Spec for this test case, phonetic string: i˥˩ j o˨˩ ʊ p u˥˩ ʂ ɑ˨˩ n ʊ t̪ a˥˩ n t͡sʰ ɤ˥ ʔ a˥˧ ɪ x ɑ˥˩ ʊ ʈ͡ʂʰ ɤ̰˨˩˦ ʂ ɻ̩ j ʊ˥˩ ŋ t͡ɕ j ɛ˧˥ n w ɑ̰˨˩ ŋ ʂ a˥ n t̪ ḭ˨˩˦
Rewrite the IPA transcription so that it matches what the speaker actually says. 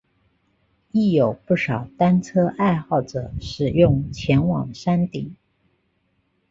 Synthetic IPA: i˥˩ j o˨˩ ʊ p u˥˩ ʂ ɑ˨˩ ʊ t̪ a˥ n t͡sʰ ɤ˥ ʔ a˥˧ ɪ x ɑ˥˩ ʊ ʈ͡ʂ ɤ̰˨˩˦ ʂ ɻ̩ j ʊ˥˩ ŋ t͡ɕʰ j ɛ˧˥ n w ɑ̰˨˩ ŋ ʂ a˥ n t̪ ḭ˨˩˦